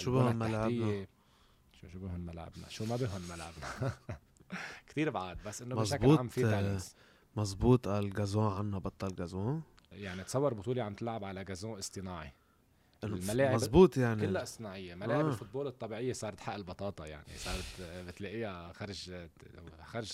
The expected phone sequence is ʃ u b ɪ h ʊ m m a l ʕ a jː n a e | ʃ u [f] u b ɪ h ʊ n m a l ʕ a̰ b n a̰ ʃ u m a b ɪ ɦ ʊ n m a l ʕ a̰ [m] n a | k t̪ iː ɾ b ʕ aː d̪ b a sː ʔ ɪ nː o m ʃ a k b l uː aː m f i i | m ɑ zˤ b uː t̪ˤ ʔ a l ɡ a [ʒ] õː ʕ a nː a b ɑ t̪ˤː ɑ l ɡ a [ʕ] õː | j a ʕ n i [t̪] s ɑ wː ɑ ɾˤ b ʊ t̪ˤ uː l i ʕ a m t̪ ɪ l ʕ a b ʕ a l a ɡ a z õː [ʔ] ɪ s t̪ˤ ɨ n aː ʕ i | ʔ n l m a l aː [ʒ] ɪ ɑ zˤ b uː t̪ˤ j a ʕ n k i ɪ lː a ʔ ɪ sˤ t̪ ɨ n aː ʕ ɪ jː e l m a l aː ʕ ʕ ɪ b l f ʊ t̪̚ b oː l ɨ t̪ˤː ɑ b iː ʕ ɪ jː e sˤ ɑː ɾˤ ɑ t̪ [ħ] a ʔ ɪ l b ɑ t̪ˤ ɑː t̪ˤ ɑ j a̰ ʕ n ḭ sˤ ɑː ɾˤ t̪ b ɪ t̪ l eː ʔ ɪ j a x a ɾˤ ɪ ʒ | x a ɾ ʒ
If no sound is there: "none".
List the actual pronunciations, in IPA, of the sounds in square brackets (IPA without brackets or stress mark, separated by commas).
ʃ, b, z, z, t̪, ʔ, ʕ, ħ